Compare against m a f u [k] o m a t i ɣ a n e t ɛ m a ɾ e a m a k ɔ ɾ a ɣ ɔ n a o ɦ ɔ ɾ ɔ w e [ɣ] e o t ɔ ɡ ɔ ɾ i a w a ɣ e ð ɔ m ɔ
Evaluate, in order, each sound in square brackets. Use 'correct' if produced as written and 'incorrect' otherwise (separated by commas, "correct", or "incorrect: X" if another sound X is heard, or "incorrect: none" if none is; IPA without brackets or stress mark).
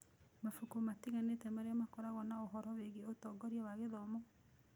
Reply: correct, correct